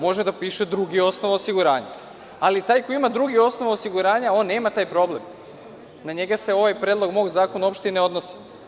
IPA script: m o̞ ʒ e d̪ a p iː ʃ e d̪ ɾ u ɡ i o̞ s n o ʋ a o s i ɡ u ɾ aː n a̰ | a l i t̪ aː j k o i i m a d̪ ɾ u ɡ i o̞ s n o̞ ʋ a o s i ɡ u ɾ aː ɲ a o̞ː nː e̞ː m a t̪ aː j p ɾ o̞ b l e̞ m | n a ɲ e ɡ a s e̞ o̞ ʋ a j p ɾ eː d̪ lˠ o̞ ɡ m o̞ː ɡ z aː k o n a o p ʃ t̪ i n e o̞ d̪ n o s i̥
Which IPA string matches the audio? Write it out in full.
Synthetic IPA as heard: m o̞ ʒ e d̪ a p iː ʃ e d̪ ɾ u ɡ i o̞ s n o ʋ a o s i ɡ u ɾ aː ɲ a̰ | a l i t̪ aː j k o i i m a d̪ ɾ u ɡ i o̞ s n o̞ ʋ a o s i ɡ u ɾ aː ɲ a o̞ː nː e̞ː m a t̪ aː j p ɾ o̞ b l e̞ m | n a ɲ e ɡ a s e̞ o̞ ʋ a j p ɾ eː d̪ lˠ o̞ ɡ m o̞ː ɡ z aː k o n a o p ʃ t̪ i n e o̞ d̪ n o s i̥